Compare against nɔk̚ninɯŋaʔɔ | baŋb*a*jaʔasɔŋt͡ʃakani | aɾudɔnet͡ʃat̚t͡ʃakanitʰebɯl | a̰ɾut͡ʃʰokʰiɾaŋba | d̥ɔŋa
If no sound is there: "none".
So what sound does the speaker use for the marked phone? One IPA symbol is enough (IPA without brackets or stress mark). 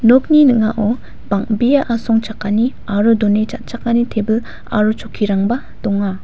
i